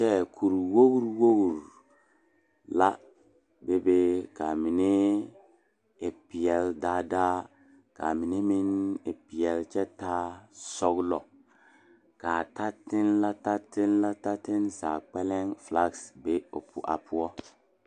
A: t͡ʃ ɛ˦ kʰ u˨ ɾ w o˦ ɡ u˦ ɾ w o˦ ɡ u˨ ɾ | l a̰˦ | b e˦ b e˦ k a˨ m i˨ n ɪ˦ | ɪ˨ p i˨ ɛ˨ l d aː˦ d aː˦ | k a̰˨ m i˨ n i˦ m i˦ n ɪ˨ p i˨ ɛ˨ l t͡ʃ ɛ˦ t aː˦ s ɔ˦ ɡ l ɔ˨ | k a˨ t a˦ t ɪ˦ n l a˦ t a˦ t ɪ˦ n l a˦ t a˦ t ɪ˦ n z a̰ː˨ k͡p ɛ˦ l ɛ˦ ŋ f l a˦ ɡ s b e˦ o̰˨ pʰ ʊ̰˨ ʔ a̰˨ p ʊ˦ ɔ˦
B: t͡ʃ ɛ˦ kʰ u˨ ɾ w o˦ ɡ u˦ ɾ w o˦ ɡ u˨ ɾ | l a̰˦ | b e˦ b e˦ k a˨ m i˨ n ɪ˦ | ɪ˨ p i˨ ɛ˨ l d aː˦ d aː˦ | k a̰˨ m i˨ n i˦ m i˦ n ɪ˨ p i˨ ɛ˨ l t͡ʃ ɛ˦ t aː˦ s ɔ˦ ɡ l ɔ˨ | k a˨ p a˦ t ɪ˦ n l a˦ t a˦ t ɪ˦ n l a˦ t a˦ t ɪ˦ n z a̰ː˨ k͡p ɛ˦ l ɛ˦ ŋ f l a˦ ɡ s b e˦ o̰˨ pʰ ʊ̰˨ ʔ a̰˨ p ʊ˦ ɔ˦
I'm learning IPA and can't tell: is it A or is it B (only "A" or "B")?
A